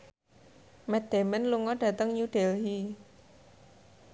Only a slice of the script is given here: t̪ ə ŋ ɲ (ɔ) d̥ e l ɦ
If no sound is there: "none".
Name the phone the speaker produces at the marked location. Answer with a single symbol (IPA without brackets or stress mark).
u